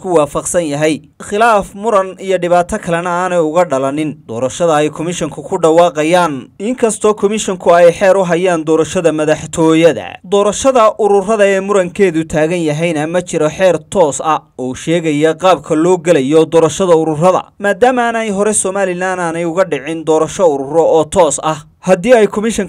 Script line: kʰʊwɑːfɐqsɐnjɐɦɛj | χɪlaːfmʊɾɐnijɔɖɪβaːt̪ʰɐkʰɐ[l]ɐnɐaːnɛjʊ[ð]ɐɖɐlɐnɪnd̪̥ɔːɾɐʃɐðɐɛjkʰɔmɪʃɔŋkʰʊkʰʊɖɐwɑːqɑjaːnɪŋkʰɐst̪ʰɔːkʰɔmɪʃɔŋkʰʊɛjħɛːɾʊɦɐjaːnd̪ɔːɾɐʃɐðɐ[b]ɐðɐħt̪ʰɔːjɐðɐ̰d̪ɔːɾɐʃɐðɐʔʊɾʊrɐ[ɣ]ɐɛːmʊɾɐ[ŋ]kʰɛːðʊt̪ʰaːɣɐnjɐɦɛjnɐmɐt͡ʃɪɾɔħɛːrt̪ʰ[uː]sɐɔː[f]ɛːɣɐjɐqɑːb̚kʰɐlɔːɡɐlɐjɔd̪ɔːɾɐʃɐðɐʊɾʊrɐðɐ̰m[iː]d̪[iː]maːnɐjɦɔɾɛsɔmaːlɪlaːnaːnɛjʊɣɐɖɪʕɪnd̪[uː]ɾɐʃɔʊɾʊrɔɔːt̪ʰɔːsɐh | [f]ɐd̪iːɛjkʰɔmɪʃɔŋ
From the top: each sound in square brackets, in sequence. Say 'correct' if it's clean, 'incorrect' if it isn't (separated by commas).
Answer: correct, incorrect, incorrect, incorrect, correct, incorrect, incorrect, incorrect, incorrect, incorrect, incorrect